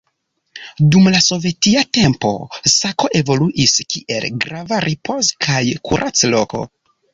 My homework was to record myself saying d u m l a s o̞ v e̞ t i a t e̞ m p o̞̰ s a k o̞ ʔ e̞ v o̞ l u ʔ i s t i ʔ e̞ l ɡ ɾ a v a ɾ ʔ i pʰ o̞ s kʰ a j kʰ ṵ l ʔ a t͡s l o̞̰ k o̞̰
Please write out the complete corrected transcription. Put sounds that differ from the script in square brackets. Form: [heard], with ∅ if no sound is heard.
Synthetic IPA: d u m l a s o̞ v e̞ t i a t e̞ m p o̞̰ s a k o̞ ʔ e̞ v o̞ l u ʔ i s [k] i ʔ e̞ l ɡ ɾ a v a ɾ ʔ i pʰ o̞ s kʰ a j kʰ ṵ [ɾ] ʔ a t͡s l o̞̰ k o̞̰